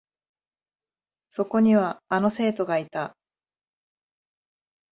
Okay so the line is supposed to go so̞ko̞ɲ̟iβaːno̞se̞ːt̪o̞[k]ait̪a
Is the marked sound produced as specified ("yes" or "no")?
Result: no